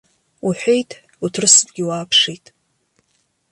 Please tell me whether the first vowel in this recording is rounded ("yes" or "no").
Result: yes